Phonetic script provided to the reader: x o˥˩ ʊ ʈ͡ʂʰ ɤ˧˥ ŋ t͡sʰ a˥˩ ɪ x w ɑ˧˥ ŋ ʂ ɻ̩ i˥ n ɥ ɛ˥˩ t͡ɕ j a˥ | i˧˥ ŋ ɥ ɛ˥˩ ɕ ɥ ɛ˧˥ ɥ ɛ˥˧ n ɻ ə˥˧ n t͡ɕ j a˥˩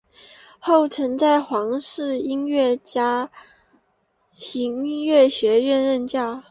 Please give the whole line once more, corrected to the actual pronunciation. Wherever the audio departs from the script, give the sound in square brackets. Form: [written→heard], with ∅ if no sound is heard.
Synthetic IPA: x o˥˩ ʊ ʈ͡ʂʰ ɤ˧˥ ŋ [t͡sʰ→t͡s] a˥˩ ɪ x w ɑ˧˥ ŋ ʂ ɻ̩ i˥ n ɥ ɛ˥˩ t͡ɕ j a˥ | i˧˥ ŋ ɥ ɛ˥˩ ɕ ɥ ɛ˧˥ ɥ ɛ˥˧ n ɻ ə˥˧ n t͡ɕ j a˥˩

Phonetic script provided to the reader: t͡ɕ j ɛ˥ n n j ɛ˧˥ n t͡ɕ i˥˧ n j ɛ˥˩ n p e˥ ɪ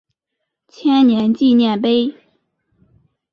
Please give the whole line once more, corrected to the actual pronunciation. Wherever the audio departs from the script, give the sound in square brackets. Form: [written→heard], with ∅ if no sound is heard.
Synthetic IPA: [t͡ɕ→t͡ɕʰ] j ɛ˥ n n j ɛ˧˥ n t͡ɕ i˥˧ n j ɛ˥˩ n p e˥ ɪ

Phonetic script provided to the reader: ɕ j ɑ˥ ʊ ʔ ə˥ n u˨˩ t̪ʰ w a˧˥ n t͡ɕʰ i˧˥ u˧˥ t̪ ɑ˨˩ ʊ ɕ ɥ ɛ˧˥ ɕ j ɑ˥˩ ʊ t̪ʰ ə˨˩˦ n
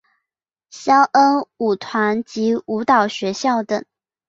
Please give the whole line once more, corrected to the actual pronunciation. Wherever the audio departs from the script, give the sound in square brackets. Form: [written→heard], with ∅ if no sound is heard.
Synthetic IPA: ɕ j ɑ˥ ʊ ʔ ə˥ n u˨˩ t̪ʰ w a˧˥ n [t͡ɕʰ→t͡ɕ] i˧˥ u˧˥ t̪ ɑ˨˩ ʊ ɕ ɥ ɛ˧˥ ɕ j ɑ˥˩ ʊ [t̪ʰ→t̪] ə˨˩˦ [n→ŋ]

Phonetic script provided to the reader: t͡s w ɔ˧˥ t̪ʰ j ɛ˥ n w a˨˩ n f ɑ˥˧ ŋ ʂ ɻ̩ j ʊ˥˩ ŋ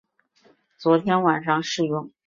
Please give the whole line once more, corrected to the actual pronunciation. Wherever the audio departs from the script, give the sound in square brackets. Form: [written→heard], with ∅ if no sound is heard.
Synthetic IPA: t͡s w ɔ˧˥ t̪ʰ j ɛ˥ n w a˨˩ n [f→ʂ] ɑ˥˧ ŋ ʂ ɻ̩ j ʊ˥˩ ŋ

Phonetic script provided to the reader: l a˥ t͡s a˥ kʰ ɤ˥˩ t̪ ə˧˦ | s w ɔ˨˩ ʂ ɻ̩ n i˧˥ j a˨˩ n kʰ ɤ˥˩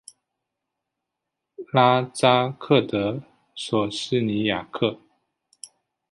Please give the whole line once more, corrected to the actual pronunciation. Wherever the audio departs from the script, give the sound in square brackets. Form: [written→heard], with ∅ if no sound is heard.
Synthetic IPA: l a˥ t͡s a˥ kʰ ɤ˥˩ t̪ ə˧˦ | s w ɔ˨˩ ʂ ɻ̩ n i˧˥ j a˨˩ [n→∅] kʰ ɤ˥˩

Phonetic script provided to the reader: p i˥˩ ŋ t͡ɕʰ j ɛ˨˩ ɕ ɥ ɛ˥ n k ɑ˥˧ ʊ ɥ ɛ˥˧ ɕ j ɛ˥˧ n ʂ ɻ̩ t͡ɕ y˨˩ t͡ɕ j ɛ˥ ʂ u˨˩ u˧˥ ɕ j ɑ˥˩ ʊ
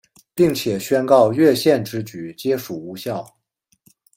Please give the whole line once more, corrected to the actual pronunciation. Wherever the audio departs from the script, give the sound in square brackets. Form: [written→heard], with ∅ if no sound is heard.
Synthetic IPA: p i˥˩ ŋ t͡ɕʰ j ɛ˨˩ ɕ ɥ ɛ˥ n k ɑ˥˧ ʊ ɥ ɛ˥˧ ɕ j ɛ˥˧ n [ʂ→ʈ͡ʂ] ɻ̩ t͡ɕ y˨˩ t͡ɕ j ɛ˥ ʂ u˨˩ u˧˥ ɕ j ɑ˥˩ ʊ

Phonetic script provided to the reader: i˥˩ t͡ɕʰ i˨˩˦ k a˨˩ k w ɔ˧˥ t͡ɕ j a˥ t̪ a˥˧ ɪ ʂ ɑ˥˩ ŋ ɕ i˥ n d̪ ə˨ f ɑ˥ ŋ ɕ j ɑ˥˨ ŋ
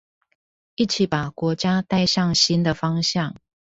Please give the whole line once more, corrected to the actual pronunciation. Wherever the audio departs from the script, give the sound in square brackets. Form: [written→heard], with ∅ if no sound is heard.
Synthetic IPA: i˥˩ t͡ɕʰ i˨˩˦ [k→p] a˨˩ k w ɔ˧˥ t͡ɕ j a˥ t̪ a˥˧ ɪ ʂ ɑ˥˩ ŋ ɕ i˥ n d̪ ə˨ f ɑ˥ ŋ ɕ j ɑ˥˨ ŋ

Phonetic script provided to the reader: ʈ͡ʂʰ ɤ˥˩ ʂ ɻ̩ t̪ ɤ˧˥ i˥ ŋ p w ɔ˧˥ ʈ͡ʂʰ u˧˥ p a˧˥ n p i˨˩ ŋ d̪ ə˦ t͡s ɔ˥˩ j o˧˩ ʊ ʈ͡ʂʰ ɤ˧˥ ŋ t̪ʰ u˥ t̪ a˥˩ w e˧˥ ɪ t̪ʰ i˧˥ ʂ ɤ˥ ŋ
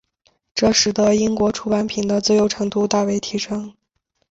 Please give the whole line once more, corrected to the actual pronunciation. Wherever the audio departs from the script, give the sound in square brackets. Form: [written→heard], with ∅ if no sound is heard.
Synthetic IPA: [ʈ͡ʂʰ→ʈ͡ʂ] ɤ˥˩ ʂ ɻ̩ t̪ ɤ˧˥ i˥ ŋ [p→k] w ɔ˧˥ ʈ͡ʂʰ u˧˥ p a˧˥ n [p→pʰ] i˨˩ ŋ d̪ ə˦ t͡s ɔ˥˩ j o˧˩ ʊ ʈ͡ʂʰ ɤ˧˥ ŋ [t̪ʰ→t̪] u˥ t̪ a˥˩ w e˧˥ ɪ t̪ʰ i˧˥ ʂ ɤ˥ ŋ

